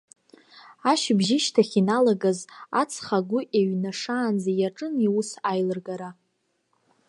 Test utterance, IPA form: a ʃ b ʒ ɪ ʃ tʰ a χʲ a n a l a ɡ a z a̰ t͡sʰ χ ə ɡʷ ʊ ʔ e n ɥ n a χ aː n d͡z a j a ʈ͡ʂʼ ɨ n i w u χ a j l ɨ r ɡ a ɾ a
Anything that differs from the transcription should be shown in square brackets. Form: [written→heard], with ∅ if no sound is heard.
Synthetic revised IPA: a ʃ b ʒ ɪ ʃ tʰ a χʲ [a→i] n a l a ɡ a z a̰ t͡sʰ χ [ə→a] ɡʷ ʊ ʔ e [n→∅] ɥ n a [χ→ʂ] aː n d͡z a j a ʈ͡ʂʼ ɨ n i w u [χ→s] a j l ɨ r ɡ a ɾ a